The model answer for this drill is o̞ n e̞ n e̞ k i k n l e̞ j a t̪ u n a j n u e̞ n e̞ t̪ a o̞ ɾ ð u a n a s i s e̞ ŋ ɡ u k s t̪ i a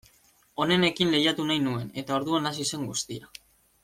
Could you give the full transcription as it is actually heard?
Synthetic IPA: o̞ n e̞ n e̞ k i n l e̞ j a t̪ u n a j n u e̞ n e̞ t̪ a o̞ ɾ ð u a n a s i s e̞ ŋ ɡ u s t̪ i a